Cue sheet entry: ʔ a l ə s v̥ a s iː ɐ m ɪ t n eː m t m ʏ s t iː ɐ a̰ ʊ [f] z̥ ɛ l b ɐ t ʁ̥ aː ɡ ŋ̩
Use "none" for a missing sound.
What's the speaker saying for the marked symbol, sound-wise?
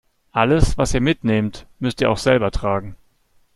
x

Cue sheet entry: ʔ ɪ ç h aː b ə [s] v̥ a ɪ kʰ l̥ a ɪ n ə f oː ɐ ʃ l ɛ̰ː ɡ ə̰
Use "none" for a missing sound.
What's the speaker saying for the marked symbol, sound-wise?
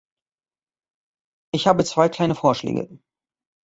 t͡s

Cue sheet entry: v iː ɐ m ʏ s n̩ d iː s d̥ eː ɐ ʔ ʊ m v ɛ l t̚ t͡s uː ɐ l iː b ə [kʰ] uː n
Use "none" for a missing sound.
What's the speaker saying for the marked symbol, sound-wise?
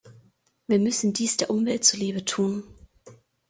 tʰ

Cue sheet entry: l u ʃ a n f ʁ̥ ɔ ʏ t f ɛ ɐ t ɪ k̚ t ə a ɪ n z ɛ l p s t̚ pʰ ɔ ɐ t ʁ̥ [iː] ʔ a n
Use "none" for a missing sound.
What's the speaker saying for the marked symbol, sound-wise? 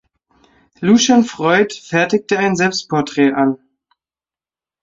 ɛː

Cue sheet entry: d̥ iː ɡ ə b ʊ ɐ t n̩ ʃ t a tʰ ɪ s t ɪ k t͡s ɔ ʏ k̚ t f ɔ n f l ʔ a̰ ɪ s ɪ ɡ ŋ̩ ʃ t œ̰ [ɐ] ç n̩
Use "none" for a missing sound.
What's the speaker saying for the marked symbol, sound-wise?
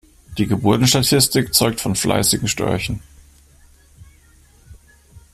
ɐ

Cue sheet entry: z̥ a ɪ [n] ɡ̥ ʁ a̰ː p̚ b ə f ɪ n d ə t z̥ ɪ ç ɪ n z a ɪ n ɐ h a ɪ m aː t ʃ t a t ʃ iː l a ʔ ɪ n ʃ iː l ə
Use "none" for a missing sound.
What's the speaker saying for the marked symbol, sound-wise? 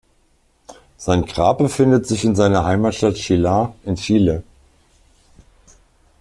n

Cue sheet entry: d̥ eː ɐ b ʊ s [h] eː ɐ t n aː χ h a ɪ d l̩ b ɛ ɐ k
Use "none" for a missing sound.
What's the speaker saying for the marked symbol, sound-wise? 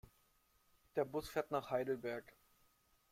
f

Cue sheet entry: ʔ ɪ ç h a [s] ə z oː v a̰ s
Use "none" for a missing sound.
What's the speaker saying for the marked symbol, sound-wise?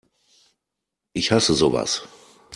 s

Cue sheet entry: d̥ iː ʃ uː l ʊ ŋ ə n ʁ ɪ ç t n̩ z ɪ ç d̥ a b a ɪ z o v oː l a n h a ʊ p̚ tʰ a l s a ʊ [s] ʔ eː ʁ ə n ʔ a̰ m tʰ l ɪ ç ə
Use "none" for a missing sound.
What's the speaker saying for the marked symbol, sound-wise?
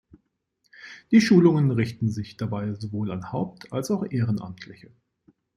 x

